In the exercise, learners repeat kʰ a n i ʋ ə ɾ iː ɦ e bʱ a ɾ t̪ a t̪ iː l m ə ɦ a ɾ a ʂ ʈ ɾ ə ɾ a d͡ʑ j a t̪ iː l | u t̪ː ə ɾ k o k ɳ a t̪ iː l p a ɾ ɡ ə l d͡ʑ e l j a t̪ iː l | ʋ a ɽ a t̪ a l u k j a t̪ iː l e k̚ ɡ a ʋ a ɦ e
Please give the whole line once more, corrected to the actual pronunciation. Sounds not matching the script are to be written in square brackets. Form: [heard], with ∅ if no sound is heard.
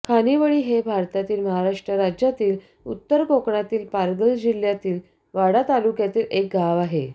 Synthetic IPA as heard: kʰ a n i ʋ ə [ɭ] iː ɦ e bʱ a ɾ t̪ a t̪ iː l m ə ɦ a ɾ a ʂ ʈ ɾ ə ɾ a d͡ʑ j a t̪ iː l | u t̪ː ə ɾ k o k ɳ a t̪ iː l p a ɾ ɡ ə l d͡ʑ [i] l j a t̪ iː l | ʋ a ɽ a t̪ a l u k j a t̪ iː l e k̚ ɡ a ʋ a ɦ e